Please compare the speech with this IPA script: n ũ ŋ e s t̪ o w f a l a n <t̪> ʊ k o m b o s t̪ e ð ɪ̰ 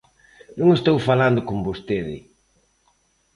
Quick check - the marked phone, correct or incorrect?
incorrect: d̪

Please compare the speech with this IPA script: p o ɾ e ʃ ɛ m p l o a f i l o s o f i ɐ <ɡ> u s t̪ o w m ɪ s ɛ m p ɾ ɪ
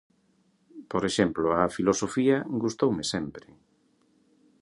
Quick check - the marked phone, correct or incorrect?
correct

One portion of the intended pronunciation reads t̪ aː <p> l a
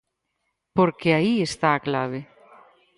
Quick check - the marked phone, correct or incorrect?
incorrect: k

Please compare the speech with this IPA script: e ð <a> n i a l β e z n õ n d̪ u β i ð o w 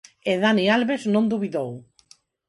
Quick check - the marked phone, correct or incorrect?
correct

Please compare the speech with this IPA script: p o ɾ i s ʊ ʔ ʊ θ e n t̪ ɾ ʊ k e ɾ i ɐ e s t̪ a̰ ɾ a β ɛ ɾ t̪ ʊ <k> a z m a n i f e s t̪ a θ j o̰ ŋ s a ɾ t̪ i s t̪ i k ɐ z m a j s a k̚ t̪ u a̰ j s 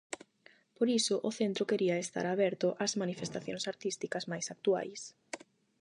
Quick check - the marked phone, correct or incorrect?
incorrect: ʔ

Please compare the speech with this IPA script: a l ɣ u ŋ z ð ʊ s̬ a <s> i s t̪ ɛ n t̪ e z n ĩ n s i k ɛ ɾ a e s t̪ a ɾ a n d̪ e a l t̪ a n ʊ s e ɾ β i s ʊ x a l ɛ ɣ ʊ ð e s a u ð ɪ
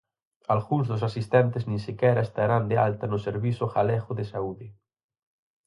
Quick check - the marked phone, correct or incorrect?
correct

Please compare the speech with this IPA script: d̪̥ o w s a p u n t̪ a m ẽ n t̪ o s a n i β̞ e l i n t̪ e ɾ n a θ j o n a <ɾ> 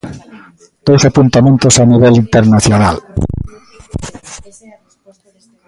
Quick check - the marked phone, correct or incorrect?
incorrect: l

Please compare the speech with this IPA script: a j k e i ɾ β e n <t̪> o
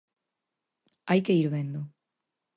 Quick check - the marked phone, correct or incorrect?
incorrect: d̪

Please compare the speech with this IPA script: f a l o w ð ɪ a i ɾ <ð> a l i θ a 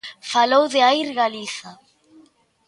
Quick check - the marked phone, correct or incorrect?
incorrect: ɣ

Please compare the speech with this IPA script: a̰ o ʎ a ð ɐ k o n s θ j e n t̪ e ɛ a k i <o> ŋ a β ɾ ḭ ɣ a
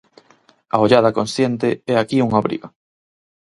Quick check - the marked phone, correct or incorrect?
incorrect: u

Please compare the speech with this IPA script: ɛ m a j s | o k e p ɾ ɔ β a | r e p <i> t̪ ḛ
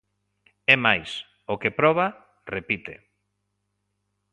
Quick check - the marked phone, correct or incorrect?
correct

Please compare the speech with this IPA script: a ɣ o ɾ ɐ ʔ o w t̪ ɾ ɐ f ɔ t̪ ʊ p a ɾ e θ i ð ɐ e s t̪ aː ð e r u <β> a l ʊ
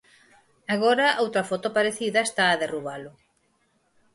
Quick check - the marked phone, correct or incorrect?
correct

